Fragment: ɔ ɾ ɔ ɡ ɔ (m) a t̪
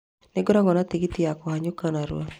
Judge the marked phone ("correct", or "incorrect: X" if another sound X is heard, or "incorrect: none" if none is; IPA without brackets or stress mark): incorrect: n